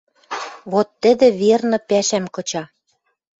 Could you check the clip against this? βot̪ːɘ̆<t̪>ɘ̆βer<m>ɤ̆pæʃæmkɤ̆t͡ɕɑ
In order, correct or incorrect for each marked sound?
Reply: incorrect: d̪, incorrect: n

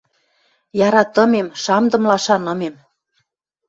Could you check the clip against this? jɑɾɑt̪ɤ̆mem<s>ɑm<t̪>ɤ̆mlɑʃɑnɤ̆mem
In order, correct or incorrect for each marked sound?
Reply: incorrect: ʃ, incorrect: d̪

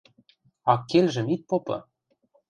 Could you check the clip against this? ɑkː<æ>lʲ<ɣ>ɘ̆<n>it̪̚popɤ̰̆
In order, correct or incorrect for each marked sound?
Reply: incorrect: e, incorrect: ʒ, incorrect: m

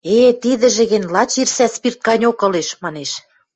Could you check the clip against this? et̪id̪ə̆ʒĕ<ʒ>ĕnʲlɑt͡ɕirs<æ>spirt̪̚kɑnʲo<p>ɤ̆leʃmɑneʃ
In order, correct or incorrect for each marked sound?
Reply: incorrect: ɣ, correct, incorrect: k

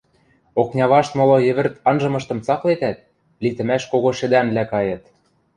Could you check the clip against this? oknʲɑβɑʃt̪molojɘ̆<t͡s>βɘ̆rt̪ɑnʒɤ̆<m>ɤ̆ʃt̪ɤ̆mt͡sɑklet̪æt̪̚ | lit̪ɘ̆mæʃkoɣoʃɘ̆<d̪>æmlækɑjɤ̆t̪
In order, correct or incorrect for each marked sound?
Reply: incorrect: none, correct, correct

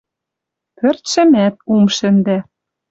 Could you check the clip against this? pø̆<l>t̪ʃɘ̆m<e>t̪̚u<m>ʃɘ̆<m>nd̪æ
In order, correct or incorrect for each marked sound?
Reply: incorrect: r, incorrect: æ, correct, incorrect: none

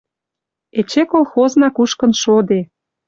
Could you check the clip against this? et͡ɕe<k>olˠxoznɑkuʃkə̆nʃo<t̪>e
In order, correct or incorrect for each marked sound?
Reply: correct, incorrect: d̪

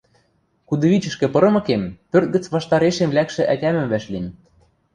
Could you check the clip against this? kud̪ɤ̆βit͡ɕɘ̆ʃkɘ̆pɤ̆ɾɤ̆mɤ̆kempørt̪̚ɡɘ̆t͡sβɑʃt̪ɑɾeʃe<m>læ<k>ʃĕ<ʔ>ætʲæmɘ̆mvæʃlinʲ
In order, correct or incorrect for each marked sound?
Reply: correct, correct, correct

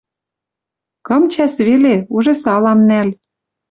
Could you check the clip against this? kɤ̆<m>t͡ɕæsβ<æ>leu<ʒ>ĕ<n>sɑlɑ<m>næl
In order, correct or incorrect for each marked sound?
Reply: correct, incorrect: e, correct, incorrect: none, correct

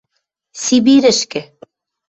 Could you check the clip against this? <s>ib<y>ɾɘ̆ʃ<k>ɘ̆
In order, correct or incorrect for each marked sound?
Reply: correct, incorrect: i, correct

